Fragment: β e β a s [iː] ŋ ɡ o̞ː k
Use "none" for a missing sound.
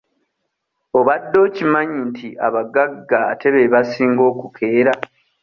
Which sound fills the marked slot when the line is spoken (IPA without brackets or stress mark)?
iː